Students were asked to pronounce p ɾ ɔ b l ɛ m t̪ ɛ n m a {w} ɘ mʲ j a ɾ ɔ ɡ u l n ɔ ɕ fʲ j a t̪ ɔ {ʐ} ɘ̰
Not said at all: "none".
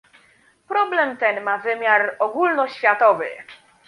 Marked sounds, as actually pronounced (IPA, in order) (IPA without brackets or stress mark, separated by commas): v, v